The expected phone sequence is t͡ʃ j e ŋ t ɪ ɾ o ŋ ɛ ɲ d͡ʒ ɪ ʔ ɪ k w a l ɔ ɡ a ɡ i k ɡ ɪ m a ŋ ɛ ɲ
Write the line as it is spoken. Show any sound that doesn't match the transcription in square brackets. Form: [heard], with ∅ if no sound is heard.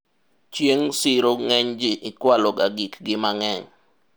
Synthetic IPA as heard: t͡ʃ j e ŋ [s] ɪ ɾ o ŋ ɛ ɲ d͡ʒ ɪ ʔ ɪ k w a l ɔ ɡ a ɡ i k ɡ ɪ m a ŋ ɛ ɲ